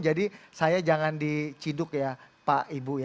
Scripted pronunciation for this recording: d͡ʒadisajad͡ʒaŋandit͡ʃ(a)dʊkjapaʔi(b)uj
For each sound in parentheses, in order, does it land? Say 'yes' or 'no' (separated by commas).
no, yes